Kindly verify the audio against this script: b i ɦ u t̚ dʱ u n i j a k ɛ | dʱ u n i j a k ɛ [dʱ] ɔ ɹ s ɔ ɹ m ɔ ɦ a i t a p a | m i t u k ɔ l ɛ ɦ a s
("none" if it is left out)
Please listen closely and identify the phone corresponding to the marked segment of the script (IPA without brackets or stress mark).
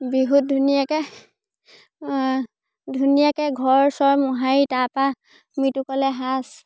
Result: ɡʱ